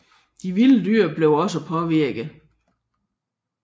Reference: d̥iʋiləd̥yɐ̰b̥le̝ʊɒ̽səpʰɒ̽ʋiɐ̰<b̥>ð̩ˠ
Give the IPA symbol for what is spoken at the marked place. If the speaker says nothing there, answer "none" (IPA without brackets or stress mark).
ɡ̥